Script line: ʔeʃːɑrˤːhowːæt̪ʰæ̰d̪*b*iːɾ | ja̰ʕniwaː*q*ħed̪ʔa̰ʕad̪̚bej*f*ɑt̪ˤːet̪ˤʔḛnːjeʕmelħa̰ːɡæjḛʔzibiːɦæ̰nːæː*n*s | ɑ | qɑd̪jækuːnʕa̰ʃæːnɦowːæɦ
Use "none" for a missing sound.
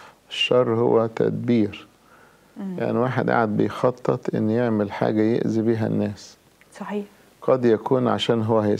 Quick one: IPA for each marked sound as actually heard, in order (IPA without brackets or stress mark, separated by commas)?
b, none, x, none